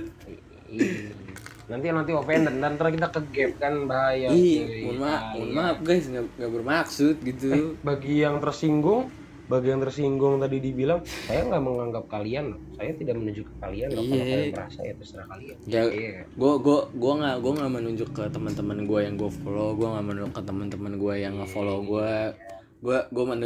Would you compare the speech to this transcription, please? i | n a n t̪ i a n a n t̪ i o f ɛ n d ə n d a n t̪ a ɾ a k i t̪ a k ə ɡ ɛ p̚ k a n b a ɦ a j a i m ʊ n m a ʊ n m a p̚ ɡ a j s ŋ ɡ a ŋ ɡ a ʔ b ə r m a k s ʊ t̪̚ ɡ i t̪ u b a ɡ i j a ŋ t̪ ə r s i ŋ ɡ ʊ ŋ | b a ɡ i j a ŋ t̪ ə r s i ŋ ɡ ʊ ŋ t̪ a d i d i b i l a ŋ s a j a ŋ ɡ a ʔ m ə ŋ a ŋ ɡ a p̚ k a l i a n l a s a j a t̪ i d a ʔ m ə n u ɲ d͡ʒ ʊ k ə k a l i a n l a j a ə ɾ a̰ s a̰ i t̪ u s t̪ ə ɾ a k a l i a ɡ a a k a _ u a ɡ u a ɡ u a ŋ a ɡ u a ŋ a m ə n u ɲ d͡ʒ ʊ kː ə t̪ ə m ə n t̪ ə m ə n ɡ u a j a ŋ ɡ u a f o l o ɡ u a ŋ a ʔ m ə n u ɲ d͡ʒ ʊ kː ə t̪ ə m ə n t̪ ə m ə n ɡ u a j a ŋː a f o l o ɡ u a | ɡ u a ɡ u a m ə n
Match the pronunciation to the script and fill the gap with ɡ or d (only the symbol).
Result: ɡ